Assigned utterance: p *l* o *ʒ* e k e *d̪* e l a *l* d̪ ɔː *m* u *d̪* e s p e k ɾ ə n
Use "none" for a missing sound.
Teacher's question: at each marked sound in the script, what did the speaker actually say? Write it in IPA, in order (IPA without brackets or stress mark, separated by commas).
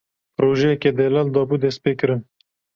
ɾ, ʒ, d̪, l, b, d̪